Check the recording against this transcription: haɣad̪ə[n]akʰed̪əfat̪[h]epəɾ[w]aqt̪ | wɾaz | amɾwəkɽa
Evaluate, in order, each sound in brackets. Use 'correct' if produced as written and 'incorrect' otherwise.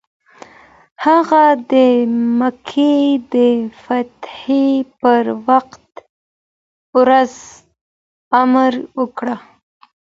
incorrect: m, correct, correct

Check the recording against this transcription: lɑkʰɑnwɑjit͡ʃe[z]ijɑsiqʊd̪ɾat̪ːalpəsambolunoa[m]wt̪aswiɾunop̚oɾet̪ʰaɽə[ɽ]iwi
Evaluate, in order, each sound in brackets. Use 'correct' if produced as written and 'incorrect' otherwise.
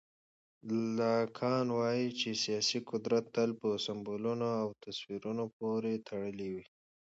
incorrect: s, incorrect: none, incorrect: l

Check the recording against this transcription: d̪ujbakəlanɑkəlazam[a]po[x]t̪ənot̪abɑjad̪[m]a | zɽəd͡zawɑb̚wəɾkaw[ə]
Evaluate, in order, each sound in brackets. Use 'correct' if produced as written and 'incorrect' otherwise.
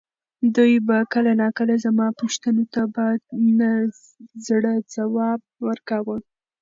incorrect: ɑ, incorrect: ʃ, incorrect: n, correct

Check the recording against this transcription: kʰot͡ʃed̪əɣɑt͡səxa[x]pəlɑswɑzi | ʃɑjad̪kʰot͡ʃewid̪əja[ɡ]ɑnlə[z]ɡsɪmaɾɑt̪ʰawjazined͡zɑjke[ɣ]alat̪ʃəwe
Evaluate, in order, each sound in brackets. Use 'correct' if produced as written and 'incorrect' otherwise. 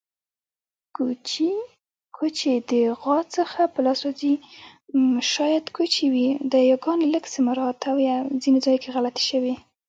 incorrect: none, correct, incorrect: none, correct

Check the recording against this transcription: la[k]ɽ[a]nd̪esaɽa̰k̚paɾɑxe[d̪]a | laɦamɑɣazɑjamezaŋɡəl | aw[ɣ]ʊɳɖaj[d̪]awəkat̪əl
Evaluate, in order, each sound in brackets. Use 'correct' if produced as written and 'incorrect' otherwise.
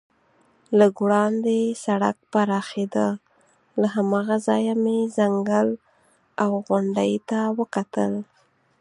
incorrect: ɡ, incorrect: ɑ, correct, correct, incorrect: t̪

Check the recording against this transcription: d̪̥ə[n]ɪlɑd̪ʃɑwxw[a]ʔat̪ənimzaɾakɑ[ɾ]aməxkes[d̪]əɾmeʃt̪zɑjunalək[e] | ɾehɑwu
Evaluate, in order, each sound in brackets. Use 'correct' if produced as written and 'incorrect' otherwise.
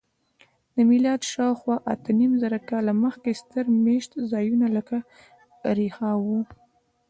incorrect: m, incorrect: ɑ, incorrect: l, incorrect: t̪, incorrect: a

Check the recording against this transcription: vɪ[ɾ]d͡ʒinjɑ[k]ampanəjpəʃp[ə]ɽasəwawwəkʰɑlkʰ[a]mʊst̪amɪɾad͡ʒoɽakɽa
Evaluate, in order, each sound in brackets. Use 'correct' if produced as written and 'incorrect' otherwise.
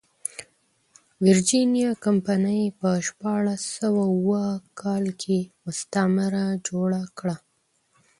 correct, correct, incorrect: ɑ, incorrect: e

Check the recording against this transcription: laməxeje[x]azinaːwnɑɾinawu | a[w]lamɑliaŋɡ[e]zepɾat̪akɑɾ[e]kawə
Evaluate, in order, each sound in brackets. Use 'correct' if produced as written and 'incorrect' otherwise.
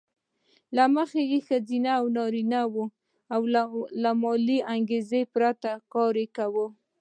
correct, correct, correct, correct

